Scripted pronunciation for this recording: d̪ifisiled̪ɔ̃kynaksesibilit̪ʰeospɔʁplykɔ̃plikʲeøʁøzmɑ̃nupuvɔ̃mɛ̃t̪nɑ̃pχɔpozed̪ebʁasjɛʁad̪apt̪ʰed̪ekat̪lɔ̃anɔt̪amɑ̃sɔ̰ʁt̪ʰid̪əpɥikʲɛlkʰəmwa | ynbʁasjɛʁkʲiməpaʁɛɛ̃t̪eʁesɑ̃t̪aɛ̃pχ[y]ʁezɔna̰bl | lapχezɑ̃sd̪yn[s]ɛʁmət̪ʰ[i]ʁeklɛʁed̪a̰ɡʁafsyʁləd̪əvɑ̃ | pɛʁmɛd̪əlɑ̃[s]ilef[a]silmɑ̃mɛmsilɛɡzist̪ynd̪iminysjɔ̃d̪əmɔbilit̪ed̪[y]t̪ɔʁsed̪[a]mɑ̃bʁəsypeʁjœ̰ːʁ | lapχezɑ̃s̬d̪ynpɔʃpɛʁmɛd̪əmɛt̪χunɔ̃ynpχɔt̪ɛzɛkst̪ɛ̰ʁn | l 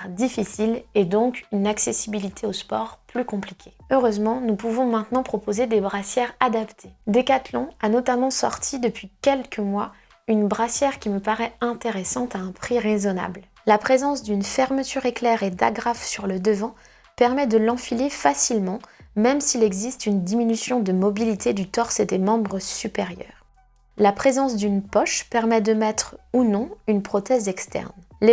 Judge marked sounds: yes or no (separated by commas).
no, no, no, no, yes, yes, no